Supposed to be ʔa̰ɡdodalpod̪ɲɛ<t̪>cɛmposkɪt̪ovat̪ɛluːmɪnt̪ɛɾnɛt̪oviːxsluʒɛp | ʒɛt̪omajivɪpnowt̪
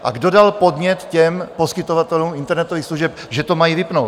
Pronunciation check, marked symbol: correct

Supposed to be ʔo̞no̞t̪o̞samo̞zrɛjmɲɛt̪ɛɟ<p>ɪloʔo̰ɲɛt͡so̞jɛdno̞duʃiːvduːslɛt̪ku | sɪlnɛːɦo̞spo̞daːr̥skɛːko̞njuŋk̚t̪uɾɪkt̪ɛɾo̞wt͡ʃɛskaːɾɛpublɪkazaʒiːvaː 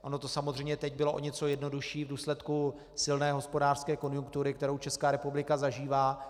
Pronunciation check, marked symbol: incorrect: b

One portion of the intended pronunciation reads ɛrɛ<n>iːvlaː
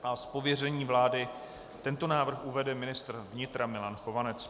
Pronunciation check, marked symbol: incorrect: ɲ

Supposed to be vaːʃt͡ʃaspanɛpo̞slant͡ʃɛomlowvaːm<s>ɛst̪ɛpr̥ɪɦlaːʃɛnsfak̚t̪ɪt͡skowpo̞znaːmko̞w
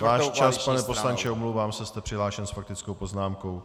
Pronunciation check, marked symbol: correct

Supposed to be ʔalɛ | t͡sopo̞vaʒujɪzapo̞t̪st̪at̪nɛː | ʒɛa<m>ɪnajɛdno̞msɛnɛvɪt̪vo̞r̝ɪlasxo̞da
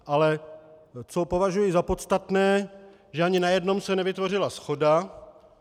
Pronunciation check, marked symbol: incorrect: ɲ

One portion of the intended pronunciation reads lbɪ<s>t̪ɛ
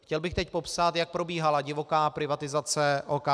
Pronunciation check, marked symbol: incorrect: x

